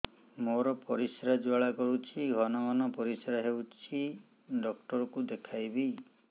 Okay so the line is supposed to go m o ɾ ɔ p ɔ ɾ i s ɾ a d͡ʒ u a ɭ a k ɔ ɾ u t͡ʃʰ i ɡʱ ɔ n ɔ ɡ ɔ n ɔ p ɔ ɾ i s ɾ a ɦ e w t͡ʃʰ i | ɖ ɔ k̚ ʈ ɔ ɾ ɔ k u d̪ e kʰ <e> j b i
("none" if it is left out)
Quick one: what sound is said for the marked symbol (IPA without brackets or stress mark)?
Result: a